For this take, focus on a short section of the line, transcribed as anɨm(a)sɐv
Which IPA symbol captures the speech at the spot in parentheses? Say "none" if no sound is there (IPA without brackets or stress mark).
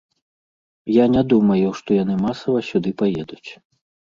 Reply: a